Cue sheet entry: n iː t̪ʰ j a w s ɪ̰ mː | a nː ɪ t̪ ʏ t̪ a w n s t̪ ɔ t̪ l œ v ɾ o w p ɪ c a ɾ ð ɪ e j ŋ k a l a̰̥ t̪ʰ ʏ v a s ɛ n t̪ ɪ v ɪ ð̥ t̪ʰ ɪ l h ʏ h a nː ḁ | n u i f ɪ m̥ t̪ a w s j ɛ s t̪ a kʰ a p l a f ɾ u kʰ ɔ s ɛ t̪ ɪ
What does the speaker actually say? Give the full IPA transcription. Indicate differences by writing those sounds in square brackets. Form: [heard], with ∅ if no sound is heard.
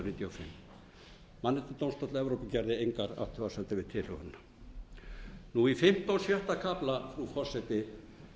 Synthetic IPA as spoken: n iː [t̪] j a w [f] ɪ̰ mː | a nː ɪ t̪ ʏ t̪ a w n s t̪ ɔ t̪ l [ɛ] v ɾ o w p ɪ c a ɾ ð ɪ e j ŋ k a [ɾ] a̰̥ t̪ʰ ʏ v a s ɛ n t̪ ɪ v ɪ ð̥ t̪ʰ ɪ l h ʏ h a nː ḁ | n u i f ɪ m̥ t̪ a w s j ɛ [h] t̪ a kʰ a p l a f ɾ u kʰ ɔ s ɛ t̪ ɪ